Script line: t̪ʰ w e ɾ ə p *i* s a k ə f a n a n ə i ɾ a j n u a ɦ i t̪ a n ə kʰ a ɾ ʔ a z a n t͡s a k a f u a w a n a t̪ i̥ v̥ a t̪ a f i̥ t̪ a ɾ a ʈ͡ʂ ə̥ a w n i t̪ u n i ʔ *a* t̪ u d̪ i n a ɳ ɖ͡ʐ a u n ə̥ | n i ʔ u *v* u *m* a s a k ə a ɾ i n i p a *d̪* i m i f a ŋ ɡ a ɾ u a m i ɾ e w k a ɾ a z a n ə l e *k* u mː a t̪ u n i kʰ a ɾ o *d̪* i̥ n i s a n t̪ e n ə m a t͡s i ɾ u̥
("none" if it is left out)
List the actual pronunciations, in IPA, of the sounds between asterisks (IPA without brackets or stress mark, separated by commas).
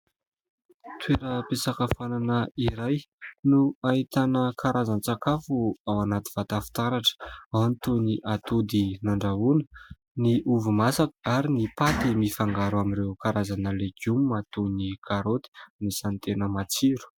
e, a, v, m, t̪, ɡ, t̪